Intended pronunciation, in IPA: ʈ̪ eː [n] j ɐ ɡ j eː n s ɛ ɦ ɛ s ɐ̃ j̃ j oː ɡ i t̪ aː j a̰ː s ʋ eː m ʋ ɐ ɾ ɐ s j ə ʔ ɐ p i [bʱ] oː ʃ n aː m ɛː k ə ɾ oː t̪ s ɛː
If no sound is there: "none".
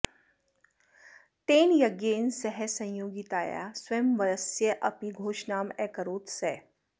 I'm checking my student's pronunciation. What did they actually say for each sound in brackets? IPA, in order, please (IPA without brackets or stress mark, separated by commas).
n, ɡʱ